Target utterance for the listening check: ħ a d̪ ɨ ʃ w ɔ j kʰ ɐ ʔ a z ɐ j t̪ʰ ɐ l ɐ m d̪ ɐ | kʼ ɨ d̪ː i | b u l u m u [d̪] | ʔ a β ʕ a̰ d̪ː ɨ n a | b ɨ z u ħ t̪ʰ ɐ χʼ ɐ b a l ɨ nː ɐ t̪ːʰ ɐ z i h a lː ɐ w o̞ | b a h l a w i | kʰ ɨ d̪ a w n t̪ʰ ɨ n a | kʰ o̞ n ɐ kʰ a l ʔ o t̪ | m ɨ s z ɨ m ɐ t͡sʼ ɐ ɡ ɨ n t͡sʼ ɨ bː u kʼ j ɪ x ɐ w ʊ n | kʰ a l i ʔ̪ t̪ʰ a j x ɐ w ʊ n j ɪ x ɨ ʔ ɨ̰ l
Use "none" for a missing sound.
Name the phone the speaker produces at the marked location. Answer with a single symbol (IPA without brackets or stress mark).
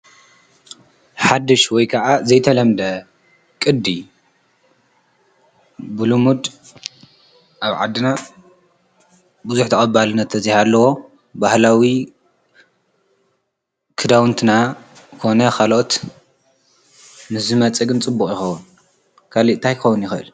d̪